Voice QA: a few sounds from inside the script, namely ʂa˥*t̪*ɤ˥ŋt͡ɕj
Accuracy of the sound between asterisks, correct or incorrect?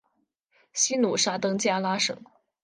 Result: correct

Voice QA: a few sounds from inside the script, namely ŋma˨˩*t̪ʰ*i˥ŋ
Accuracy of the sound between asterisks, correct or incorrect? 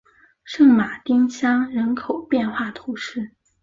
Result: incorrect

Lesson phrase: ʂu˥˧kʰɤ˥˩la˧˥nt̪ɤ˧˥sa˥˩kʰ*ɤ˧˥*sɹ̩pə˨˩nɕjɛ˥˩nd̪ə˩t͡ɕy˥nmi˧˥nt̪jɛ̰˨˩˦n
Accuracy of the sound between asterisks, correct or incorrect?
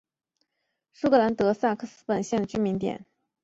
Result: incorrect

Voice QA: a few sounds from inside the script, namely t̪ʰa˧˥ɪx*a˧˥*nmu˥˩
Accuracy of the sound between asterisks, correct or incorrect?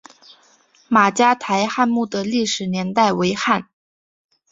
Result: incorrect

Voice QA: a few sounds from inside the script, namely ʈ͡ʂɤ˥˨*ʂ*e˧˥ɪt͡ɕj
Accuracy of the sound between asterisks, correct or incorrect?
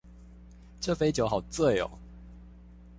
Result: incorrect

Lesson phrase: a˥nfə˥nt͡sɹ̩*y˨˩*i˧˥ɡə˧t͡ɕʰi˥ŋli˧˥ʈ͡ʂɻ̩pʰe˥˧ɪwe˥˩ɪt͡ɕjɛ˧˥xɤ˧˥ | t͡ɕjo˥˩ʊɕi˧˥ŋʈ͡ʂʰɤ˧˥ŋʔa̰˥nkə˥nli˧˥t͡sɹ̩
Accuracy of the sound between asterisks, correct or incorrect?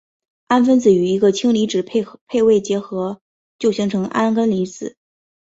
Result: correct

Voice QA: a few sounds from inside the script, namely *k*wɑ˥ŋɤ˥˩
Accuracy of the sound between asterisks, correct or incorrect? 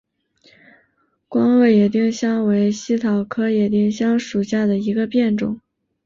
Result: correct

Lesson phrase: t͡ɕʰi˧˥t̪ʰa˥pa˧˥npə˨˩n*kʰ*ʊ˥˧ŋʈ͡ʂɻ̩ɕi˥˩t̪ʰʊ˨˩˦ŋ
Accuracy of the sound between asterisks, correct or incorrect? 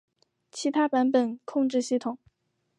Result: correct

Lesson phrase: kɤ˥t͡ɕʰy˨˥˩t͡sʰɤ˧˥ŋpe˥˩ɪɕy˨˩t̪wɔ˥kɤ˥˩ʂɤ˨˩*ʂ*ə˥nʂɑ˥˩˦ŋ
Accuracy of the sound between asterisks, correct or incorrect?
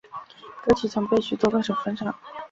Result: incorrect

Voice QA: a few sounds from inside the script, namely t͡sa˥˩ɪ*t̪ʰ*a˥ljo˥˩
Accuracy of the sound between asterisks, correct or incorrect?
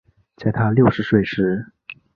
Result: correct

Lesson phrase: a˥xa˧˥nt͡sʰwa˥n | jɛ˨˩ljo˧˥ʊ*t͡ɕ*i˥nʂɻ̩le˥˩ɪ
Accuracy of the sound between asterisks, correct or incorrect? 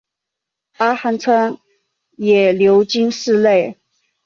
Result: correct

